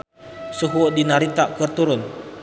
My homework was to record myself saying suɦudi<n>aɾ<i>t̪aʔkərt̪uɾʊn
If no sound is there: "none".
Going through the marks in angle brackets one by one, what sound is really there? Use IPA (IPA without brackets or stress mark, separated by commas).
n, i